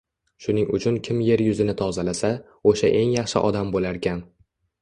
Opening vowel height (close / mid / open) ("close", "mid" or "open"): close